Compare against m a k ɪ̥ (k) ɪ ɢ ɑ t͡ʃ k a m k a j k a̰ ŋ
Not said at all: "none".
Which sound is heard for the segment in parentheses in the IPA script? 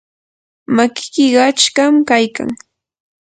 k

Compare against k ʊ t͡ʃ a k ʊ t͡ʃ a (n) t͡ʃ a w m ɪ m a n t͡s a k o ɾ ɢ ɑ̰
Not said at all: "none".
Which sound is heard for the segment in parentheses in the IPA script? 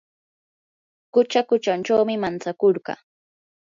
n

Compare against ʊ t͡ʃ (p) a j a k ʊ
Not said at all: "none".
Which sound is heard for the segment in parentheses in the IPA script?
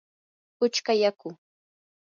k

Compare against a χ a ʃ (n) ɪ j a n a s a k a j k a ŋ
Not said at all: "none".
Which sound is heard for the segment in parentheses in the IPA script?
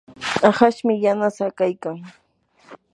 m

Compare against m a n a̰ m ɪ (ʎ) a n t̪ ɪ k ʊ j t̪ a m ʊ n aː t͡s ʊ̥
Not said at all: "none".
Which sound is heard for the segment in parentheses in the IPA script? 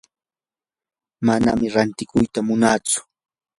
ɾ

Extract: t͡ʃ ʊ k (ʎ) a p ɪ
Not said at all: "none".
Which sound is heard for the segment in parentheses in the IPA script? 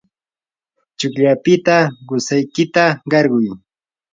ʎ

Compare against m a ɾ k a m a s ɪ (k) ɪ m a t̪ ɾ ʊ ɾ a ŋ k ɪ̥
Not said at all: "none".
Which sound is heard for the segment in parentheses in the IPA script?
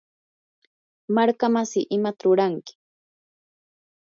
ʔ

